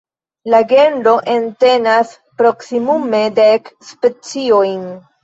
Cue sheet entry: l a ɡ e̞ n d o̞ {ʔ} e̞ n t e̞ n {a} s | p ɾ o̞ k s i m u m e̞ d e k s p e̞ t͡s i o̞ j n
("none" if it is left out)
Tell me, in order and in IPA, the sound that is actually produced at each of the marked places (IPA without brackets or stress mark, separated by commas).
ʔ, a